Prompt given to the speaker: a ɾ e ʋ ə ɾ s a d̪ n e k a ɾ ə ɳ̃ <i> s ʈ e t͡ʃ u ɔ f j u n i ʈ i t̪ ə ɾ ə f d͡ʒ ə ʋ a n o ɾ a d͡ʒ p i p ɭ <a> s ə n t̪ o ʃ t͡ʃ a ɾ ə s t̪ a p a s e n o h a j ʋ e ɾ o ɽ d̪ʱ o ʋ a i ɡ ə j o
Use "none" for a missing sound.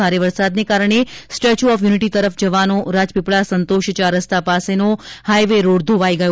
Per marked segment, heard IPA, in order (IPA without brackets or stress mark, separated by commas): e, a